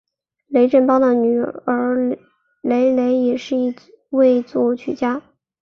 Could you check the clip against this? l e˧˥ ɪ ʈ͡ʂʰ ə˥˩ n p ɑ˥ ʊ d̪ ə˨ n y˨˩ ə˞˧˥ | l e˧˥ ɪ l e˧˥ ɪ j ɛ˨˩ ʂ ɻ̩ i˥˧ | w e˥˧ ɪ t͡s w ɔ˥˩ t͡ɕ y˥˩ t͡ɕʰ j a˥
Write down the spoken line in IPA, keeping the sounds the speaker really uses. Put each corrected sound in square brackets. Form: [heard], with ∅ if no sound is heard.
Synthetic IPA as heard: l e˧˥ ɪ [ʈ͡ʂ] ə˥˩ n p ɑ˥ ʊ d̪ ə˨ n y˨˩ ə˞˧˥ | l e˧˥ ɪ l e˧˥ ɪ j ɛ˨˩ ʂ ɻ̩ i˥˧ | w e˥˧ ɪ t͡s w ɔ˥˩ [t͡ɕʰ] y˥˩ [t͡ɕ] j a˥